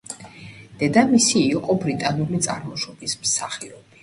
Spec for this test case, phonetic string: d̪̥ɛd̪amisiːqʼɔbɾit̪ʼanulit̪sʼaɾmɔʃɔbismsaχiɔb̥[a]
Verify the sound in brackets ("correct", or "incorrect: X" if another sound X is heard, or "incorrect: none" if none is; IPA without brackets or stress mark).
incorrect: i